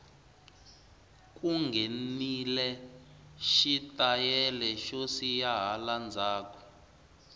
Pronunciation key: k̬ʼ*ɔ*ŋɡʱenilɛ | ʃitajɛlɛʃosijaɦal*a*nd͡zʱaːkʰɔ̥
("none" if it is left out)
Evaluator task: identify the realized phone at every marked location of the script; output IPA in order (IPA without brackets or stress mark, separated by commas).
u, a